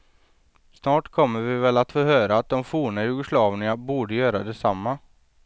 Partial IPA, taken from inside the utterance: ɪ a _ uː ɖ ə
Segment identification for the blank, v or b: b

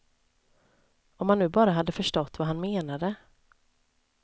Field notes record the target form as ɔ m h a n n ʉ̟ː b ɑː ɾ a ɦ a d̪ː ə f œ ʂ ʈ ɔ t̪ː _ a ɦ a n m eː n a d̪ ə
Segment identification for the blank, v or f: v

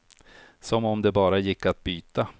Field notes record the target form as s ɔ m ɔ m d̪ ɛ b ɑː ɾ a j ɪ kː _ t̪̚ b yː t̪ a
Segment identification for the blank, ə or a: a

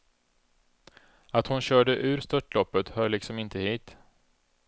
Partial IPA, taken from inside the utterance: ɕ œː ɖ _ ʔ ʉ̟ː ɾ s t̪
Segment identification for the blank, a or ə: ə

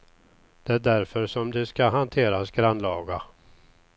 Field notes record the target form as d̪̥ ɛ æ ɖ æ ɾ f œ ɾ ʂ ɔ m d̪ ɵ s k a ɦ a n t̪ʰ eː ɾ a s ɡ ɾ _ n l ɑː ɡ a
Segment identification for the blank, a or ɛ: a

